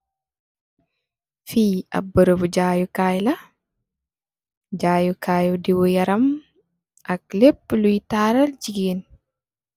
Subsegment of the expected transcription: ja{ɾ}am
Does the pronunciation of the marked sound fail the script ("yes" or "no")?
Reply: no